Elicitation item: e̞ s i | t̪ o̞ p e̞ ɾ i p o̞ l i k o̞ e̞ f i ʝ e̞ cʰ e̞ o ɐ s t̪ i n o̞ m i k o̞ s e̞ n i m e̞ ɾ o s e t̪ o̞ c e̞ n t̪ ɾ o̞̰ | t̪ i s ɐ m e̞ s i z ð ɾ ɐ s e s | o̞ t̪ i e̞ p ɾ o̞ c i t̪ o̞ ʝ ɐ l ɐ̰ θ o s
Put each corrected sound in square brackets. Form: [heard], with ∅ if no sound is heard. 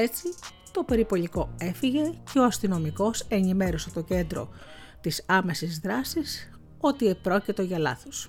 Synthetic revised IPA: e̞ [t͡s] i | t̪ o̞ p e̞ ɾ i p o̞ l i k o̞ e̞ f i ʝ e̞ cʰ e̞ o ɐ s t̪ i n o̞ m i k o̞ s e̞ n i m e̞ ɾ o s e t̪ o̞ c e̞ n [d̪] ɾ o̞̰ | t̪ i s ɐ m e̞ s i z ð ɾ ɐ s [i] s | o̞ t̪ i e̞ p ɾ o̞ c i t̪ o̞ ʝ ɐ l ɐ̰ θ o s